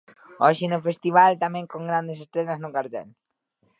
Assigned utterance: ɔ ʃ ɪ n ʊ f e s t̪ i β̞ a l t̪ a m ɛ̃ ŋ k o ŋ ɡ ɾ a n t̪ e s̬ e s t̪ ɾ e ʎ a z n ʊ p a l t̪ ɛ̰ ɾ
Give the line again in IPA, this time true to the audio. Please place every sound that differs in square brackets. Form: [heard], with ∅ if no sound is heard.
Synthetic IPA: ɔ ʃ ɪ n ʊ f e s t̪ i β̞ a l t̪ a m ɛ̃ ŋ k o ŋ ɡ ɾ a n [d̪] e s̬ e s t̪ ɾ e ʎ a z n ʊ [k] a [ɾ] t̪ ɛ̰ [l]